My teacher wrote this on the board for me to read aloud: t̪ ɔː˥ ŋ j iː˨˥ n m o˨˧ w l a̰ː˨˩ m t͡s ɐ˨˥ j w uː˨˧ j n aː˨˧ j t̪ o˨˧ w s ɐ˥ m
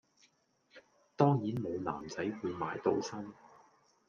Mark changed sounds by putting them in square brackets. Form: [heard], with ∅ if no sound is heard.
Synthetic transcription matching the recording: t̪ ɔː˥ ŋ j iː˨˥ n m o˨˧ w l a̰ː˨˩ m t͡s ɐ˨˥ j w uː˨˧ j [m] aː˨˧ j t̪ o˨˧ w s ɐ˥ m